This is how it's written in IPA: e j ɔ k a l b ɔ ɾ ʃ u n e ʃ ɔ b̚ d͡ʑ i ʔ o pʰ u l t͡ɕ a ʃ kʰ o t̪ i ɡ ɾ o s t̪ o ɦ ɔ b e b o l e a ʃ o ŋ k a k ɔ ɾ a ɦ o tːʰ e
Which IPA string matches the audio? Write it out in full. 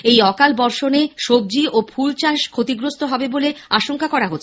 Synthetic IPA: e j ɔ k a l b ɔ ɾ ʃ o n e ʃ o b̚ d͡ʑ i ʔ o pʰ u l t͡ɕ a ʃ kʰ o t̪ i ɡ ɾ o s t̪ o ɦ ɔ b e b o l e a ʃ o ŋ k a k ɔ ɾ a ɦ o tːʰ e